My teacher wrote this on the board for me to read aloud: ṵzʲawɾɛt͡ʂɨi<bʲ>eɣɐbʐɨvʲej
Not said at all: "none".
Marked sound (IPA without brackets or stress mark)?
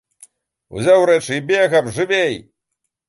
bʲ